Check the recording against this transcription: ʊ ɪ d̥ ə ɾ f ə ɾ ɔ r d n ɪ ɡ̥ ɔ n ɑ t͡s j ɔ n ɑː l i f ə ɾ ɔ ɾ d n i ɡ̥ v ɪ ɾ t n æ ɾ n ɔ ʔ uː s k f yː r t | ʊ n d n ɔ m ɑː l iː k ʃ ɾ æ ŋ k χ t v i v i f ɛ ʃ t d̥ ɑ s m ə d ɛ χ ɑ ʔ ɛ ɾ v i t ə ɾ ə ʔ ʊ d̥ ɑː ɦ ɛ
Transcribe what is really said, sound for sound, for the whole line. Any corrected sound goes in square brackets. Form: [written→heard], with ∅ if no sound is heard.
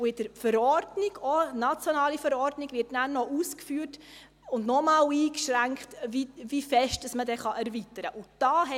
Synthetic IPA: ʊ ɪ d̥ ə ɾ f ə ɾ ɔ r d n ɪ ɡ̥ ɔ n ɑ t͡s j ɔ n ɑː l i f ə ɾ ɔ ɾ d n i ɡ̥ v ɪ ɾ t n æ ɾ n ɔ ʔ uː s k f yː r t | ʊ n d n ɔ m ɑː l iː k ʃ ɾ æ ŋ k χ t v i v i f ɛ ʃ t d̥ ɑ s m ə d ɛ χ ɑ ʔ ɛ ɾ v i t ə ɾ ə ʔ ʊ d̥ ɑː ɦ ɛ